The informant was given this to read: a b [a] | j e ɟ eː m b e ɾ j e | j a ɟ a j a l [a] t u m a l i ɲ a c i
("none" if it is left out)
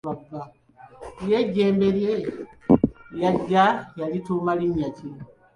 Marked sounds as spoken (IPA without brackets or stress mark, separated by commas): a, i